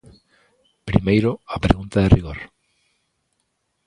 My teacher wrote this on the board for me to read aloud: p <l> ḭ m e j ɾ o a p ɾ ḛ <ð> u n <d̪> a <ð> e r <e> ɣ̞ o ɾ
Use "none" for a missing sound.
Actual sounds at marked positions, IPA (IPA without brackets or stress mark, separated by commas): ɾ, ɣ, t̪, ð, i